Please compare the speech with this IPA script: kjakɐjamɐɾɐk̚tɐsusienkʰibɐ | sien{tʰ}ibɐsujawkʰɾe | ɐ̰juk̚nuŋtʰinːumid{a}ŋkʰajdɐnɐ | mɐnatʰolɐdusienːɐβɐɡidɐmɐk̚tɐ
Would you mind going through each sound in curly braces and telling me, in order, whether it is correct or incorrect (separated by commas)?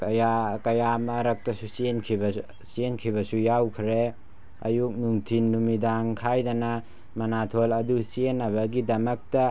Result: incorrect, correct